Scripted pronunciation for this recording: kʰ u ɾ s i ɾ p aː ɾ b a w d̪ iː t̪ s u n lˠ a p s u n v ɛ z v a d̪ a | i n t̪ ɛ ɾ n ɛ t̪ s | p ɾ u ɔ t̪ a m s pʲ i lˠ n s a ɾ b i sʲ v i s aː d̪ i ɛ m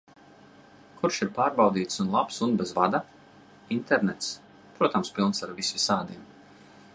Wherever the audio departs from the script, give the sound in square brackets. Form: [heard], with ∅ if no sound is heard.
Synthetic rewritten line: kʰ u ɾ [ʃ] i ɾ p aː ɾ b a w d̪ iː t̪ s u n lˠ a p s u n [b] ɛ z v a d̪ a | i n t̪ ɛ ɾ n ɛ t̪ s | p ɾ u ɔ t̪ a m s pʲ i lˠ n s a ɾ [v] i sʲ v i s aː d̪ i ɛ m